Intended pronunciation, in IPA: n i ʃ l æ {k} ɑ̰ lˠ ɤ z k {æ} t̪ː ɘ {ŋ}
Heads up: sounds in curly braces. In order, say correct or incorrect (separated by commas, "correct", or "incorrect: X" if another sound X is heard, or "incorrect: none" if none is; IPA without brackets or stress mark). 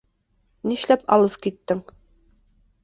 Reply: incorrect: p, incorrect: i, correct